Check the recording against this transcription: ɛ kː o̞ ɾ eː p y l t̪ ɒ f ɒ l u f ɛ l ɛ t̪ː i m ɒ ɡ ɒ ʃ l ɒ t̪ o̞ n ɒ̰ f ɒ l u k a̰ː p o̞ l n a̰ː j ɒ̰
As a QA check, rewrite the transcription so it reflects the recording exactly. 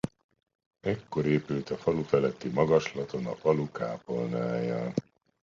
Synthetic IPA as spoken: ɛ kː o̞ ɾ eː p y l t̪ ɒ f ɒ l u f ɛ l ɛ t̪ː i m ɒ ɡ ɒ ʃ l ɒ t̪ o̞ n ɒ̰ f ɒ l u k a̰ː p o̞ l n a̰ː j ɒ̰